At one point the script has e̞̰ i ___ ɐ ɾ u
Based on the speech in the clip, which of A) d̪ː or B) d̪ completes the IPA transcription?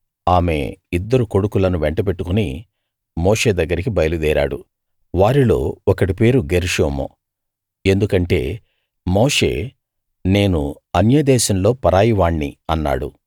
A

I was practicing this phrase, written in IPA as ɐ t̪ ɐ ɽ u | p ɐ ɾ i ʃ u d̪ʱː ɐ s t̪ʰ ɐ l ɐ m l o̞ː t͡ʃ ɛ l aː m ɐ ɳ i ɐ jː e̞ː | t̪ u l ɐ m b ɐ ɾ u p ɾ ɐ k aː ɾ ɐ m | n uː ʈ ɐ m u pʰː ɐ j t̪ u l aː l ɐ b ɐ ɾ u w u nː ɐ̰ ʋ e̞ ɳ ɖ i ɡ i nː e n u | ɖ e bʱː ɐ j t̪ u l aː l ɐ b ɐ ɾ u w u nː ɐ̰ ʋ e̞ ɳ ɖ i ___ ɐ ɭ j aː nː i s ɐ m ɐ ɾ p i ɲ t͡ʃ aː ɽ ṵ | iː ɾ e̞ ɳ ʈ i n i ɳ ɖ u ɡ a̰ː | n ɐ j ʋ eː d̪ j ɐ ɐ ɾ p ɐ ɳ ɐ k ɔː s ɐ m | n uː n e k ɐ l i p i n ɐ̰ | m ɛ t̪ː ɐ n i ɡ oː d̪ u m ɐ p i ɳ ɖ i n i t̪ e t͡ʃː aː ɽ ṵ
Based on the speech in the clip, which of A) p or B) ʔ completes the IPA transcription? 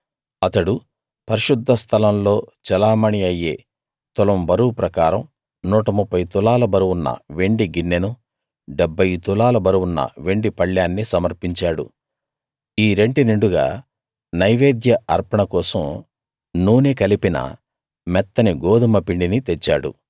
A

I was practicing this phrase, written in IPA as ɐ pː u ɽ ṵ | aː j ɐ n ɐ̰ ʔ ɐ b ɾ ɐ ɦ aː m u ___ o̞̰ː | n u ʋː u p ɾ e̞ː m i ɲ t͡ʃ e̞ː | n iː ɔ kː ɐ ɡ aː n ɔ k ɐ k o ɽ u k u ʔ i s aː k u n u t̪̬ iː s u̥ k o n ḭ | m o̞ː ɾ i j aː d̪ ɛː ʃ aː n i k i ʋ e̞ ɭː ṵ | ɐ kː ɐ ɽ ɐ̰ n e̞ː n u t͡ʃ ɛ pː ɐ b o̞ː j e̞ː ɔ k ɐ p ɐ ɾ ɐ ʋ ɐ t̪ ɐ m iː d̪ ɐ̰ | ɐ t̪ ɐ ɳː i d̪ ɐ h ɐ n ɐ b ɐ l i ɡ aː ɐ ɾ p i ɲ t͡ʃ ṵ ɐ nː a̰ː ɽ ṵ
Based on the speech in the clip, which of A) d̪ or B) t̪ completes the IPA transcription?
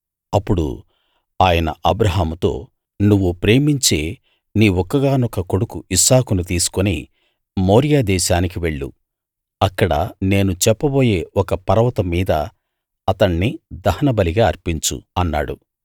B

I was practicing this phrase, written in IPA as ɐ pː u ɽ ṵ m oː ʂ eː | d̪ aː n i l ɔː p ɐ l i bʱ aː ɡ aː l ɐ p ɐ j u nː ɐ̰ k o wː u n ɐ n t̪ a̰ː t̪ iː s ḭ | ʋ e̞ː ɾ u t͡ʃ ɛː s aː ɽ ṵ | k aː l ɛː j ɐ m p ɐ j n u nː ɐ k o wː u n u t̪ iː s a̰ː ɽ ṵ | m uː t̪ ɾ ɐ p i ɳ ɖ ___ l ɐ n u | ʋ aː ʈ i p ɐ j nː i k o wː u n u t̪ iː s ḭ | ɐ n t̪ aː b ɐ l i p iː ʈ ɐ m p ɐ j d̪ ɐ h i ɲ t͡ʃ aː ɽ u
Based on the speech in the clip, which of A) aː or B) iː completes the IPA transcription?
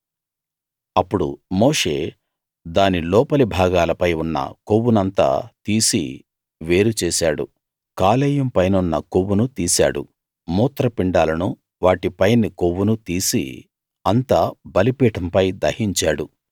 A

